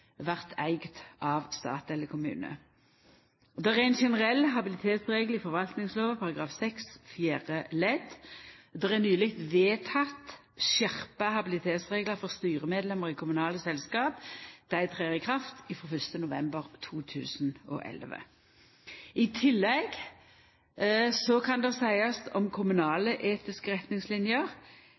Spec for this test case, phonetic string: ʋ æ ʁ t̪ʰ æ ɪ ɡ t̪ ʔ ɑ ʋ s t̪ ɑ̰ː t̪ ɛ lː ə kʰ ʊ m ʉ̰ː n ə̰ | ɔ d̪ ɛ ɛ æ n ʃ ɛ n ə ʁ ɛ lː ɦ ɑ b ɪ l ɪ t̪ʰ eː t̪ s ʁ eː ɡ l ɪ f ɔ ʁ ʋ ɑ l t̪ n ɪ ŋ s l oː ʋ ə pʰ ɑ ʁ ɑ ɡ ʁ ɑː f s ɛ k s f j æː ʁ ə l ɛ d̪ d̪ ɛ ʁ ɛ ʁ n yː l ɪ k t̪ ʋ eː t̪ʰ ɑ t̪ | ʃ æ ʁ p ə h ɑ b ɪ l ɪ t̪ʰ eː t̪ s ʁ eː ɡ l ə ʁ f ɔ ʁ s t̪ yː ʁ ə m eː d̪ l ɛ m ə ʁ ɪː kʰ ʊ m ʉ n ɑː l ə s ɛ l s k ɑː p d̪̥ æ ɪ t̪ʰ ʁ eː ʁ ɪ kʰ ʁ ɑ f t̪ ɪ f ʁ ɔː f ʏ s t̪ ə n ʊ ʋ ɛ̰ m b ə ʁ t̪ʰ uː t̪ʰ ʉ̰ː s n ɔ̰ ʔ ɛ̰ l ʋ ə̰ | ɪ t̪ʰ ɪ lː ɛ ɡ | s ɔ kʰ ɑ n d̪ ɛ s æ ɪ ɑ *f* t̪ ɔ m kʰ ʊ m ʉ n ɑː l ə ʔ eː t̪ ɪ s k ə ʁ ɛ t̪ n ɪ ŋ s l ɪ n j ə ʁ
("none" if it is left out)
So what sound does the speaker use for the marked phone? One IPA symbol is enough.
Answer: s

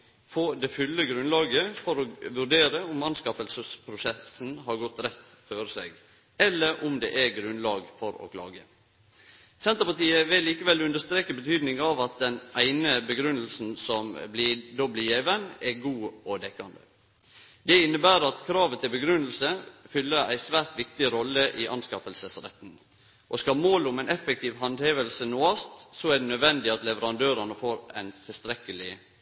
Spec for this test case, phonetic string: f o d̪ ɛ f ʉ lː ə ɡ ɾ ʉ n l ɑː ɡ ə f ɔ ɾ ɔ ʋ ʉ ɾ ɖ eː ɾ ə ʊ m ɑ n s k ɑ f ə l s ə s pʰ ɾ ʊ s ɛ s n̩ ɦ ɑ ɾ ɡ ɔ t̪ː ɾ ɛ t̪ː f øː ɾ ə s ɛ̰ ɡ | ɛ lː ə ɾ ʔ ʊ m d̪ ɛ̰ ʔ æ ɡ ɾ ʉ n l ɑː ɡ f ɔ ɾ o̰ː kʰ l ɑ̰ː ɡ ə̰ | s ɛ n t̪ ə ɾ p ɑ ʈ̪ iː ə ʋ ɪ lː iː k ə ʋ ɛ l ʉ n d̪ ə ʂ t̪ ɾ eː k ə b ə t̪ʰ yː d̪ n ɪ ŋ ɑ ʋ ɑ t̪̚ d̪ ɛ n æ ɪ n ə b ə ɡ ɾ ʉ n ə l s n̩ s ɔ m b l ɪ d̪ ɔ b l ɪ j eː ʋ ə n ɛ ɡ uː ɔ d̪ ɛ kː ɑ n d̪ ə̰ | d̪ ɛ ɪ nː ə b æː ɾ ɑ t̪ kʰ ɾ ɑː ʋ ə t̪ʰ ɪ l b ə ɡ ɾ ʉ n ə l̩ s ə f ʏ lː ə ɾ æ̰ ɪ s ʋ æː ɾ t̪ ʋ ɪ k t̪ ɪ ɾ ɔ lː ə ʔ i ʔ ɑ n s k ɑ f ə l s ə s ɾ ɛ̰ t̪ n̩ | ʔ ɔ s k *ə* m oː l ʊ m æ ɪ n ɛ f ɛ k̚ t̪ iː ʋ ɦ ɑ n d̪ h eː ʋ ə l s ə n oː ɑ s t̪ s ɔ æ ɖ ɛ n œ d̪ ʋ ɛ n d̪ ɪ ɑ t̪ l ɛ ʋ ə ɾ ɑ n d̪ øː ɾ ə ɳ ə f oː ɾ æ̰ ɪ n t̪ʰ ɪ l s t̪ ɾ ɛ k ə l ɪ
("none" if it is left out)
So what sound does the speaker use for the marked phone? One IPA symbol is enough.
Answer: ɑ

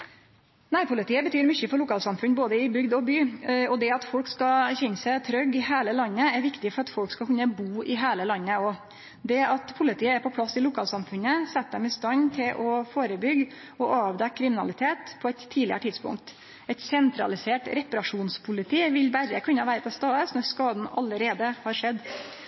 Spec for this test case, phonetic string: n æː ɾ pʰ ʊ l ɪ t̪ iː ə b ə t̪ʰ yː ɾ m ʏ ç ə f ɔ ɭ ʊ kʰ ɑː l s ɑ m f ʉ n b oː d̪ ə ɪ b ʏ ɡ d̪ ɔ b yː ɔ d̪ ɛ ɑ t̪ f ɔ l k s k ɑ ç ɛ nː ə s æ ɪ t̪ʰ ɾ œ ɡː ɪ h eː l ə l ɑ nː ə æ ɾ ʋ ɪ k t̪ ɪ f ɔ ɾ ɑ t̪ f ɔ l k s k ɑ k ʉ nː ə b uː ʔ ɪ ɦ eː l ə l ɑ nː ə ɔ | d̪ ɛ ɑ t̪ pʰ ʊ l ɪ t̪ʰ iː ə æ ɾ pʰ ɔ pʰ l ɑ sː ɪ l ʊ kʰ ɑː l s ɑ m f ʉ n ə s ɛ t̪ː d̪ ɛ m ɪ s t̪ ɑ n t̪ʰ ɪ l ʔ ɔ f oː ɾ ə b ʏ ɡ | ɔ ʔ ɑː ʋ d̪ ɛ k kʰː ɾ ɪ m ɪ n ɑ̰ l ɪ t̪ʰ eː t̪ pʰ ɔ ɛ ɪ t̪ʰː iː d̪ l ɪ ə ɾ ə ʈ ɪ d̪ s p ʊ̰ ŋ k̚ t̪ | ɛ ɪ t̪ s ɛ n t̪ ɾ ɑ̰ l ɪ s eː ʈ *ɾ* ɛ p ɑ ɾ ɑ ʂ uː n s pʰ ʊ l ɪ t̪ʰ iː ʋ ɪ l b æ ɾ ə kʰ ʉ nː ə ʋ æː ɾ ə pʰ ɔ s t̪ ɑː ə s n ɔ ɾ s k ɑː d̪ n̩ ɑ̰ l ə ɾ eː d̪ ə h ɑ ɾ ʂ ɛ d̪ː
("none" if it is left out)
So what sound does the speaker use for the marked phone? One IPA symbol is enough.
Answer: ɾ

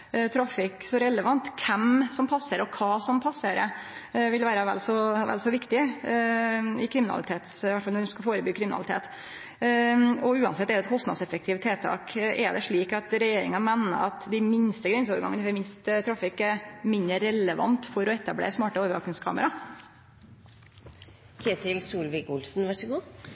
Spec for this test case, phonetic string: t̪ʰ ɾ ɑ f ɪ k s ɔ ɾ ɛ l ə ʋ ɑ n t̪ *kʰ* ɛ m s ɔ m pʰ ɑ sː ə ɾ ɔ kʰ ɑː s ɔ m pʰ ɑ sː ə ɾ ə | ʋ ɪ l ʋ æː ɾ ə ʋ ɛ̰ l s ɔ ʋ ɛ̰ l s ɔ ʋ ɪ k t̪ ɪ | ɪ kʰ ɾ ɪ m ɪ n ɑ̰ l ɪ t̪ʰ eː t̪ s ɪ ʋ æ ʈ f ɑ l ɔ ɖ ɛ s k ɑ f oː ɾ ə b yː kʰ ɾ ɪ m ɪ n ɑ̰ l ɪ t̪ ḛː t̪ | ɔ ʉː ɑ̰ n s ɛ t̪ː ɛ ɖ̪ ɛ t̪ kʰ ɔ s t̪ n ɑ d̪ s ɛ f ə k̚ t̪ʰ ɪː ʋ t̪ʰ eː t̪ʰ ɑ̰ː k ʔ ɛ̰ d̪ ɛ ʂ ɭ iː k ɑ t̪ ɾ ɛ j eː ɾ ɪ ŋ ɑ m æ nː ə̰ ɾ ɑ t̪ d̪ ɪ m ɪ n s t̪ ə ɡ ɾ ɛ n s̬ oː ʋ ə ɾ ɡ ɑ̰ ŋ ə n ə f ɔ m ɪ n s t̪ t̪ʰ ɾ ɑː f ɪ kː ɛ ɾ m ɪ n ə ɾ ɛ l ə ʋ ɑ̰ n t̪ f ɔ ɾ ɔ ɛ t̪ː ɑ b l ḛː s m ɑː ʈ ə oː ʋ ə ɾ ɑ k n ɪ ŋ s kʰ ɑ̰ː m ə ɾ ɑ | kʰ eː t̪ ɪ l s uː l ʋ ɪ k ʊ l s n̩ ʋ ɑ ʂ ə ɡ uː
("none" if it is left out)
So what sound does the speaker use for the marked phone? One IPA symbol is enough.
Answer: kʰ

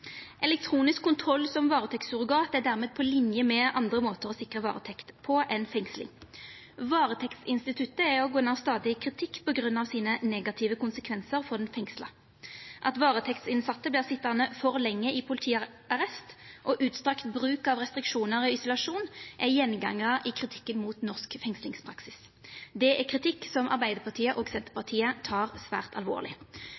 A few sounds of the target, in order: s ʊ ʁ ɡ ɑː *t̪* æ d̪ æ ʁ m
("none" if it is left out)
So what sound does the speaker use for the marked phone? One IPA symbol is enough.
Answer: t̪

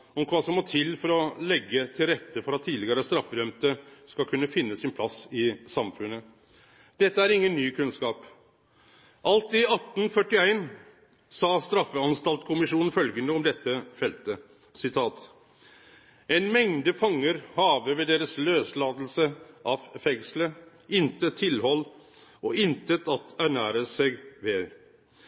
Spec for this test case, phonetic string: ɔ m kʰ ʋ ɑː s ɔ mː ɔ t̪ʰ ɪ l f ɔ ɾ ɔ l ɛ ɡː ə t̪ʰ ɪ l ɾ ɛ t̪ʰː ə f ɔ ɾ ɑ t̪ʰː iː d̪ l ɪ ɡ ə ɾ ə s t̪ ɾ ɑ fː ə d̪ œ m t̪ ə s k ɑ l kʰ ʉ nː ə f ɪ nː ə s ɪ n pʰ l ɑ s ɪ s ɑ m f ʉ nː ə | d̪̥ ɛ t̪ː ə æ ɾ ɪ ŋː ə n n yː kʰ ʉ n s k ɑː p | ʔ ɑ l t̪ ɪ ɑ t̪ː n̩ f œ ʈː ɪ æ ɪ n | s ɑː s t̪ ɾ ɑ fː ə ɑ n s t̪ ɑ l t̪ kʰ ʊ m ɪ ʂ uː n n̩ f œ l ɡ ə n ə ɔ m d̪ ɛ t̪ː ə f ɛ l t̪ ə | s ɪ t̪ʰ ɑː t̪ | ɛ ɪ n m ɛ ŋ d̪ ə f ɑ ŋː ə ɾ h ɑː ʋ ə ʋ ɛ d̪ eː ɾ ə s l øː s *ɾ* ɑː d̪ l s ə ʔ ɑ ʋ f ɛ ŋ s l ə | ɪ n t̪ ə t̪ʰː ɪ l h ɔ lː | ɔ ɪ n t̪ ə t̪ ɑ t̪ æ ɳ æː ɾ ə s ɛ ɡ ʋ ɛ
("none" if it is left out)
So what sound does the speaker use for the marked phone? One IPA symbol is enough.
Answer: l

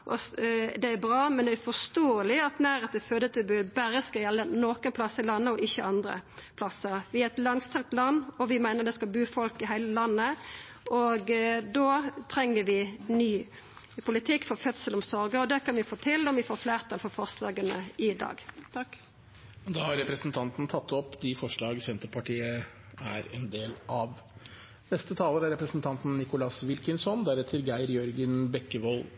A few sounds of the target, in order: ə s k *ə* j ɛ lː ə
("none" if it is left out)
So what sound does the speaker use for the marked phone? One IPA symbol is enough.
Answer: ɑ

